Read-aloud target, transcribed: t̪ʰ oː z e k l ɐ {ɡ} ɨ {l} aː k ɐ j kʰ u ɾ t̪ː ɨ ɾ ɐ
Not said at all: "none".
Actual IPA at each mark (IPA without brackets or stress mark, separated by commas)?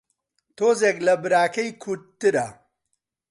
b, ɾ